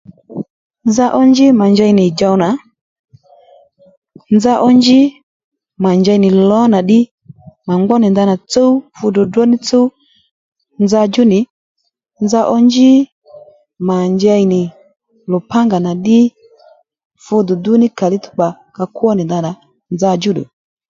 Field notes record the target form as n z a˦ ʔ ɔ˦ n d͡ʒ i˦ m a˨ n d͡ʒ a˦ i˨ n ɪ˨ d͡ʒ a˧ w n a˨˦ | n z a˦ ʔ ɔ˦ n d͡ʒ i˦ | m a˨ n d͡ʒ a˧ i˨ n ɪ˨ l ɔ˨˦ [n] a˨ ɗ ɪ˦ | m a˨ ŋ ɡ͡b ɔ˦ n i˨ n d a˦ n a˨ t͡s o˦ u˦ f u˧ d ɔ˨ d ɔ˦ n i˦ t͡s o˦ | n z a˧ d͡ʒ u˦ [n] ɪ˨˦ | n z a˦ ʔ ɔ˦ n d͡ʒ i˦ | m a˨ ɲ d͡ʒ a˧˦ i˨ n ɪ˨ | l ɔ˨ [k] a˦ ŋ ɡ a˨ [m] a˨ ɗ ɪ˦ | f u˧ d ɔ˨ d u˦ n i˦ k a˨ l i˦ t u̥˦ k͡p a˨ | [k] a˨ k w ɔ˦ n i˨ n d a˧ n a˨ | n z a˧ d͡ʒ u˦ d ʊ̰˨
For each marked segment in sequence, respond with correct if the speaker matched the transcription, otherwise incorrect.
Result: correct, correct, incorrect, incorrect, correct

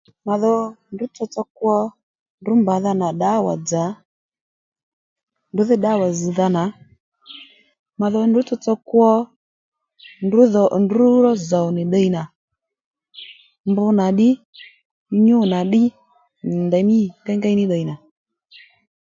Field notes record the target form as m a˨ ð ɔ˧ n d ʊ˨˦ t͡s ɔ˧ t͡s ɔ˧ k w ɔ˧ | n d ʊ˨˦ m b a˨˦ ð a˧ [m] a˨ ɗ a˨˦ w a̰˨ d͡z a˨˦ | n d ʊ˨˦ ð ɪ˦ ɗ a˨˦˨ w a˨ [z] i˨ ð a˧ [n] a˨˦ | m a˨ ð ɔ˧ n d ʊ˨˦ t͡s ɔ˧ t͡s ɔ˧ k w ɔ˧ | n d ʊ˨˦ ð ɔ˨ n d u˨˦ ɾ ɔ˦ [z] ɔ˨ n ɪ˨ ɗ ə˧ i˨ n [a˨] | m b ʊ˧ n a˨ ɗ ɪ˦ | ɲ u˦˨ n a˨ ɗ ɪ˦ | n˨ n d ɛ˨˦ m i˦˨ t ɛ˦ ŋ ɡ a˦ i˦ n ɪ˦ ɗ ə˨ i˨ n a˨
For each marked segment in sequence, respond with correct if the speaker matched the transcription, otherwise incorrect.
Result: incorrect, correct, correct, correct, correct

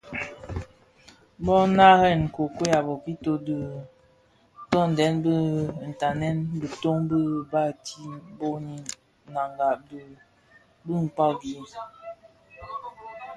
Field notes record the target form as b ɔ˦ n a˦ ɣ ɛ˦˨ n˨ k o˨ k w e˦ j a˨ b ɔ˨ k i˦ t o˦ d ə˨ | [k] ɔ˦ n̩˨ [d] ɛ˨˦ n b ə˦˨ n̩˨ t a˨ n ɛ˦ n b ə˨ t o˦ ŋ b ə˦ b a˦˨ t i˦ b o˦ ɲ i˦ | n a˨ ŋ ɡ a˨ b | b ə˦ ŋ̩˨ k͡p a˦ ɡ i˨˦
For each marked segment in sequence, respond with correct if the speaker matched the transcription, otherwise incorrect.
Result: incorrect, correct

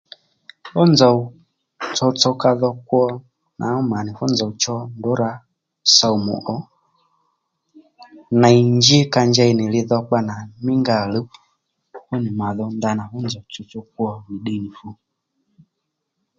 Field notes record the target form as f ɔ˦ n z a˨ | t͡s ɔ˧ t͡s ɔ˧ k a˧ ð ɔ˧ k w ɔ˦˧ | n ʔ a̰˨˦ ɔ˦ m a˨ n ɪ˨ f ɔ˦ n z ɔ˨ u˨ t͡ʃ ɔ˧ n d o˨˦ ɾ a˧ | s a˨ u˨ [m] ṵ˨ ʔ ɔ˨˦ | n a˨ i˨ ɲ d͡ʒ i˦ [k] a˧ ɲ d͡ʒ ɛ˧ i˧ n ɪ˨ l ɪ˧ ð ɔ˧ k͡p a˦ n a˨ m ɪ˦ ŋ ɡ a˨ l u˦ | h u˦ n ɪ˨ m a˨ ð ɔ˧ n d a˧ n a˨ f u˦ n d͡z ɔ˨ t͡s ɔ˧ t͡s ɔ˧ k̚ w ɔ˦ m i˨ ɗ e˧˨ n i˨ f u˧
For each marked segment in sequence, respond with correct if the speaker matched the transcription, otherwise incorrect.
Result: correct, correct

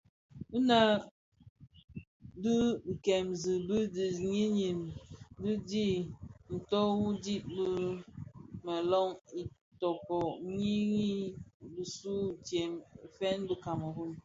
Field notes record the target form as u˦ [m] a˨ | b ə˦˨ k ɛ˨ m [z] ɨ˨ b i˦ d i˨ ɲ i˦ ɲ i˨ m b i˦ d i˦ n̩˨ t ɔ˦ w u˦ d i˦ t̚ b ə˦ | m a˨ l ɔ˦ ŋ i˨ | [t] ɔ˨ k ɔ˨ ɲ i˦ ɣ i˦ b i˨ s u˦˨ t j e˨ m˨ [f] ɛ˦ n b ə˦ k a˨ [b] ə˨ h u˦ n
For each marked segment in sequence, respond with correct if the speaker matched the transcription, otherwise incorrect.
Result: incorrect, correct, correct, correct, incorrect

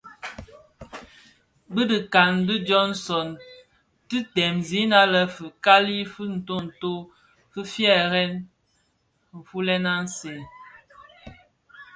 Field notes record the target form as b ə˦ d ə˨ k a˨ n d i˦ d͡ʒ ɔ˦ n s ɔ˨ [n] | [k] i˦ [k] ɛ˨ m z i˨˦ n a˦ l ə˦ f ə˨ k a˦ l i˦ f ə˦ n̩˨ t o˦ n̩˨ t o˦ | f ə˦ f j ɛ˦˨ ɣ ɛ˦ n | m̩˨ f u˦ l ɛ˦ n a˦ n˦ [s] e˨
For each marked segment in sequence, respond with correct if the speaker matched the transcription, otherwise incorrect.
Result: correct, incorrect, incorrect, correct

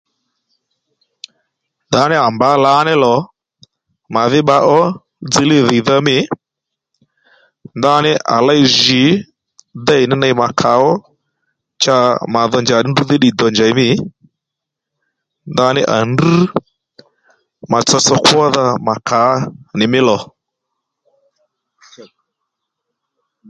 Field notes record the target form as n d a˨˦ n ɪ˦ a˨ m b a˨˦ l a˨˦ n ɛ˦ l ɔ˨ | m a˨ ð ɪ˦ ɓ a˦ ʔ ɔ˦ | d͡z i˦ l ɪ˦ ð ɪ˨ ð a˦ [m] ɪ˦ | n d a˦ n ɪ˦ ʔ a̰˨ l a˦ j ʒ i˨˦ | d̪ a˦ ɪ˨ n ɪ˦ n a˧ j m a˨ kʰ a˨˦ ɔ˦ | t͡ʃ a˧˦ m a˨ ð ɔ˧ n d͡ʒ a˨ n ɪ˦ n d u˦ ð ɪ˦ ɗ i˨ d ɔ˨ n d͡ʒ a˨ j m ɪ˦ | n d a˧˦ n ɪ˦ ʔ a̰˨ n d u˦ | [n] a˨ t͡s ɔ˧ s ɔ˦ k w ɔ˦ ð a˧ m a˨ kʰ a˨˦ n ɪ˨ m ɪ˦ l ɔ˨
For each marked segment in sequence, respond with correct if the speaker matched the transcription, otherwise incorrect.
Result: correct, incorrect

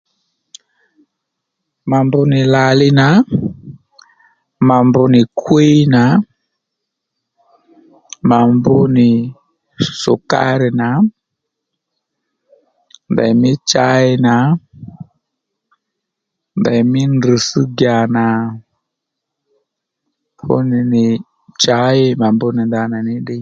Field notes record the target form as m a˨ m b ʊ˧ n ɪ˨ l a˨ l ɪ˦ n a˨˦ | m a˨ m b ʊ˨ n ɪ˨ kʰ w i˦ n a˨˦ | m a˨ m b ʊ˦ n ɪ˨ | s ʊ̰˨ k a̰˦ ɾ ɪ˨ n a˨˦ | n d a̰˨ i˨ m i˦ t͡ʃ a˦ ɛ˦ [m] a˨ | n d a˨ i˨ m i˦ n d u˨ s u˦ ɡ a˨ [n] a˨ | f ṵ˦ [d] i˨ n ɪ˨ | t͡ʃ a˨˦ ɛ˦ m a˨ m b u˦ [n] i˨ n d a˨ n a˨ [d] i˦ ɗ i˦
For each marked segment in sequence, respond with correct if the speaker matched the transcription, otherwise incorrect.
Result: incorrect, correct, incorrect, correct, incorrect

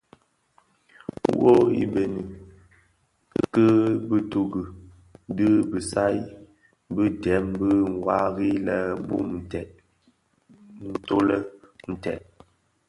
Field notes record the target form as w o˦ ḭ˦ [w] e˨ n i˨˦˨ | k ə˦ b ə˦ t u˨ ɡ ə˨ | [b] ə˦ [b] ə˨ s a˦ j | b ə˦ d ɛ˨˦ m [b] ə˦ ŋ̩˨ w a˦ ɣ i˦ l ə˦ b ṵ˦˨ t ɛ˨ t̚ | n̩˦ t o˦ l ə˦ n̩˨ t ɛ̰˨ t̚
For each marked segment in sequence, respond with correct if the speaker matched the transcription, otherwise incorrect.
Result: incorrect, incorrect, correct, correct

